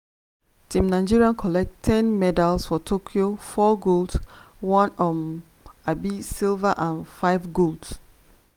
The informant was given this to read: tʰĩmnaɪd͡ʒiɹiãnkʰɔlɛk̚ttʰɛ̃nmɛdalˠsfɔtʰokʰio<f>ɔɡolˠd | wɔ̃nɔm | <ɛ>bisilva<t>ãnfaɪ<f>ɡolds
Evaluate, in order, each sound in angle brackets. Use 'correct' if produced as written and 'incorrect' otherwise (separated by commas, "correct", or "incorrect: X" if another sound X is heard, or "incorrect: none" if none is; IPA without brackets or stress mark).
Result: correct, incorrect: a, incorrect: ʔ, incorrect: v